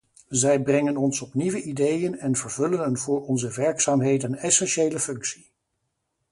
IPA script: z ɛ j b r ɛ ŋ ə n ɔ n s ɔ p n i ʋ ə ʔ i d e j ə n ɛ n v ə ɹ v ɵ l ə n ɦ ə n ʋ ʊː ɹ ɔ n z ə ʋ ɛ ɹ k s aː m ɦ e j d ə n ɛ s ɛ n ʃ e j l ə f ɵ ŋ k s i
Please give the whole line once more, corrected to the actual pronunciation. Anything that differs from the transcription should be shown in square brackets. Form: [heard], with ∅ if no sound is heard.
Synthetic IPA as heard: z ɛ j b r ɛ ŋ ə n ɔ n s ɔ p n i ʋ ə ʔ i d e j ə n ɛ n v ə ɹ v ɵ l ə n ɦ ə n [v] ʊː ɹ ɔ n z ə ʋ ɛ ɹ k s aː m ɦ e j d ə n ɛ s ɛ n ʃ e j l ə f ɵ ŋ k s i